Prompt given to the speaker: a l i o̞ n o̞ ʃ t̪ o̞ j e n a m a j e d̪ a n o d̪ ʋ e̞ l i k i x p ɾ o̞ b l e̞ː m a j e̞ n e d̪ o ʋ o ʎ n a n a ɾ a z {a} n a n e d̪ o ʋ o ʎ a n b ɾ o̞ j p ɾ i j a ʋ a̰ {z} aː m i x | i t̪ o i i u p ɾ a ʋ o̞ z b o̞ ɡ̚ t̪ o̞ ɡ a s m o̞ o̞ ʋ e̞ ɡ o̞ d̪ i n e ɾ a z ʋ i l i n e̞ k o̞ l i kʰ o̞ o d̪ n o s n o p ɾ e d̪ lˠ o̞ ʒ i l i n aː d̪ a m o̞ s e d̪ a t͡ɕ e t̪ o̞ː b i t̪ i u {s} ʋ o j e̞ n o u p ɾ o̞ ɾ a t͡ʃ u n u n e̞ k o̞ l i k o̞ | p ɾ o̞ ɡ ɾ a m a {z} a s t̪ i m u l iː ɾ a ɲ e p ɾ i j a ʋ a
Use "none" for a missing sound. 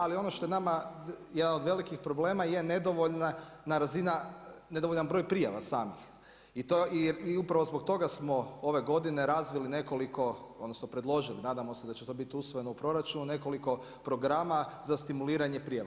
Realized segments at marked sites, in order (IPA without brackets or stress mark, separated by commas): i, s, s, z